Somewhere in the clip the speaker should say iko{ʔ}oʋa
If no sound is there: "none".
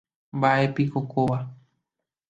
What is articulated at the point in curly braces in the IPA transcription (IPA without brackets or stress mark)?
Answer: k